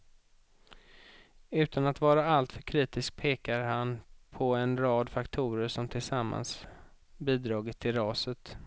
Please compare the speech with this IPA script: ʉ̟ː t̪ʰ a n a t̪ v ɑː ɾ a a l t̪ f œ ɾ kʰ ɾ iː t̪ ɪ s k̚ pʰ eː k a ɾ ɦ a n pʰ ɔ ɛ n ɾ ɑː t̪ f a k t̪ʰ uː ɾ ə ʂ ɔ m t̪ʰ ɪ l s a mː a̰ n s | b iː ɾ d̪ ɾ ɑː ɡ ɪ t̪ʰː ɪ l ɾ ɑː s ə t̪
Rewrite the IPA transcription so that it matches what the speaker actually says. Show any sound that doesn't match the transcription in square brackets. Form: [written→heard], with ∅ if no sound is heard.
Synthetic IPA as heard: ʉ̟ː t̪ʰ a n a t̪ v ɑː ɾ a a l t̪ f œ ɾ kʰ ɾ iː t̪ ɪ s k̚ pʰ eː k a ɾ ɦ a n pʰ ɔ ɛ n ɾ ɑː [t̪→d̪] f a k t̪ʰ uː ɾ ə ʂ ɔ m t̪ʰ ɪ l s a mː a̰ n s | b iː [ɾ→∅] d̪ ɾ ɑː ɡ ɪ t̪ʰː ɪ l ɾ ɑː s ə t̪